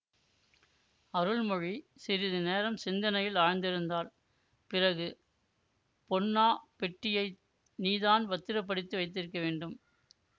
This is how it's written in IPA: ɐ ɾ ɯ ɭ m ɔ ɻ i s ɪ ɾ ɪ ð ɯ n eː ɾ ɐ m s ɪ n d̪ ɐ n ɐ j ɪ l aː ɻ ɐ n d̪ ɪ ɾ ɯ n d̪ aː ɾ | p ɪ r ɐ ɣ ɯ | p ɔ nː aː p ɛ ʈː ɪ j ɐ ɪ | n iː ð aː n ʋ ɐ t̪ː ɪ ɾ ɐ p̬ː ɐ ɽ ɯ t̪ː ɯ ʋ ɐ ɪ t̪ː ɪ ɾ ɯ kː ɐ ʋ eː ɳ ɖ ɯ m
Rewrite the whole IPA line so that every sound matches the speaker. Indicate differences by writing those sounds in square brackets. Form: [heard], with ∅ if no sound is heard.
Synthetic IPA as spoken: ɐ ɾ ɯ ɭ m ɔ ɻ i s ɪ ɾ ɪ ð ɯ n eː ɾ ɐ m s ɪ n d̪ ɐ n ɐ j ɪ l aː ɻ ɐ n d̪ ɪ ɾ ɯ n d̪ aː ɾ | p ɪ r ɐ ɣ ɯ | p ɔ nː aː p ɛ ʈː ɪ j ɐ ɪ | n iː ð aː n ʋ ɐ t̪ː ɪ ɾ ɐ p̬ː ɐ ɽ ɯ t̪ː ɯ ʋ ɐ ɪ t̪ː ɪ ɾ ɯ kː ɐ ʋ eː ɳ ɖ ɯ m

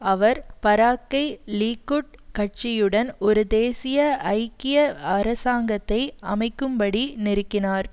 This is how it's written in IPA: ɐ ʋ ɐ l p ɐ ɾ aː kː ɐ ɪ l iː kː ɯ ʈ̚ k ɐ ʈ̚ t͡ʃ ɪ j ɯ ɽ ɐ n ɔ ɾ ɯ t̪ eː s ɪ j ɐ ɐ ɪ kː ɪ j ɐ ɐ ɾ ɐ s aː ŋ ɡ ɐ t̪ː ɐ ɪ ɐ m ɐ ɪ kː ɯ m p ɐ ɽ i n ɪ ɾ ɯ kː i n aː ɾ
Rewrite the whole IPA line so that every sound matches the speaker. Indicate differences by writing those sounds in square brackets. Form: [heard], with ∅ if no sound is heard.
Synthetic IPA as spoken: ɐ ʋ ɐ [ɾ] p ɐ ɾ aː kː ɐ ɪ l iː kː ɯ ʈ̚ k ɐ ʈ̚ t͡ʃ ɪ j ɯ ɽ ɐ n ɔ ɾ ɯ [d̪] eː s ɪ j ɐ ɐ ɪ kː ɪ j ɐ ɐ ɾ ɐ s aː ŋ ɡ ɐ t̪ː ɐ ɪ ɐ m ɐ ɪ kː ɯ m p ɐ ɽ i n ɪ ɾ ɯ kː [ɪ] n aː ɾ

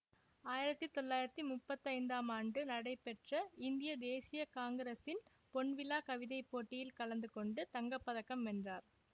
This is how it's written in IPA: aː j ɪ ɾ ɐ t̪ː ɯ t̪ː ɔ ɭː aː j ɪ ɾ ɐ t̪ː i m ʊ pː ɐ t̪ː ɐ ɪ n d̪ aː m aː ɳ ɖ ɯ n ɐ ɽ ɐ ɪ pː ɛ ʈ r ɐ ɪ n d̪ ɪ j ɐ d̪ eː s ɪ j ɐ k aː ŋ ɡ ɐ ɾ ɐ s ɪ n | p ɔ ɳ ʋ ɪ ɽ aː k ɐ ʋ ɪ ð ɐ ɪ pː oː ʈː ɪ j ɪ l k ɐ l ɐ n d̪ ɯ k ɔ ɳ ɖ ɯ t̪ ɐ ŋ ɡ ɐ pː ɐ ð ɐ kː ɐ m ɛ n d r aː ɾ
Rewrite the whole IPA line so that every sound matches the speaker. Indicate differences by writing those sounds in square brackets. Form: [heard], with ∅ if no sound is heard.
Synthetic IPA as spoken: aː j ɪ ɾ ɐ t̪ː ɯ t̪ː ɔ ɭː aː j ɪ ɾ ɐ t̪ː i m ʊ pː ɐ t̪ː ɐ ɪ n d̪ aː m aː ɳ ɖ ɯ n ɐ ɽ ɐ ɪ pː ɛ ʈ r ɐ ɪ n d̪ ɪ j ɐ d̪ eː s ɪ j ɐ k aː ŋ ɡ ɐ ɾ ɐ s ɪ n | p ɔ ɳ ʋ ɪ [l] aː k ɐ ʋ ɪ ð ɐ ɪ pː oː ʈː ɪ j ɪ l k ɐ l ɐ n d̪ ɯ k ɔ ɳ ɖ ɯ t̪ ɐ ŋ ɡ ɐ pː ɐ ð ɐ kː ɐ m ɛ n d r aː ɾ

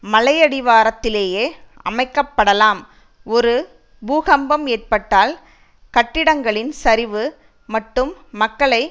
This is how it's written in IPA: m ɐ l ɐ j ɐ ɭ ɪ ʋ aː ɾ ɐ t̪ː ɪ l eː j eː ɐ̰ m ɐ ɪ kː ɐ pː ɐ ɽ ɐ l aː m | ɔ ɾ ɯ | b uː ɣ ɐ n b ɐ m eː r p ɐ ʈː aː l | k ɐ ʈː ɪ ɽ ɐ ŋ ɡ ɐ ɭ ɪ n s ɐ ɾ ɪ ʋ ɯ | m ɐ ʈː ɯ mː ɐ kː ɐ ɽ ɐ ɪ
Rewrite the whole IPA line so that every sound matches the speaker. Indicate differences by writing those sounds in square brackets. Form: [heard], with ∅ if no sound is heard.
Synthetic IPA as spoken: m ɐ l ɐ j ɐ [ɽ] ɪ ʋ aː ɾ ɐ t̪ː ɪ l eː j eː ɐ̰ m ɐ ɪ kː ɐ pː ɐ ɽ ɐ l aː m | ɔ ɾ ɯ | b uː ɣ ɐ [m] b ɐ m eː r p ɐ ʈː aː l | k ɐ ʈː ɪ ɽ ɐ ŋ ɡ ɐ ɭ ɪ n s ɐ ɾ ɪ ʋ ɯ | m ɐ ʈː ɯ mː ɐ kː ɐ [ɭ] ɐ ɪ

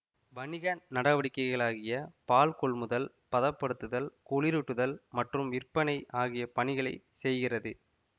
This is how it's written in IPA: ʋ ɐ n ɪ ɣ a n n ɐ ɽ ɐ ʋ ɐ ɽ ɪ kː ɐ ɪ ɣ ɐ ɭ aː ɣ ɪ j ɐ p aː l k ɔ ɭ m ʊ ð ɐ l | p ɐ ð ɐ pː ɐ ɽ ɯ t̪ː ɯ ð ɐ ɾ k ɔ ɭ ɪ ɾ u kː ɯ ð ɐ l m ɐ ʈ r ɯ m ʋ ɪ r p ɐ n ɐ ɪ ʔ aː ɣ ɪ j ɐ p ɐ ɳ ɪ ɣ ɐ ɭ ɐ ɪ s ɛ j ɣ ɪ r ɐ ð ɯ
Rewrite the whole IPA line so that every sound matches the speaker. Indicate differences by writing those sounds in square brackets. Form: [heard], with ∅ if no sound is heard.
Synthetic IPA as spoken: ʋ ɐ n ɪ ɣ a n n ɐ ɽ ɐ ʋ ɐ ɽ ɪ kː ɐ ɪ ɣ ɐ ɭ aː ɣ ɪ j ɐ p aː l k ɔ ɭ m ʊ ð ɐ l | p ɐ ð ɐ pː ɐ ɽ ɯ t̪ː ɯ ð ɐ [l] k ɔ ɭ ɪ ɾ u [ʈː] ɯ ð ɐ l m ɐ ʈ r ɯ m ʋ ɪ r p ɐ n ɐ ɪ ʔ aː ɣ ɪ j ɐ p ɐ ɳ ɪ ɣ ɐ ɭ ɐ ɪ s ɛ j ɣ ɪ r ɐ ð ɯ

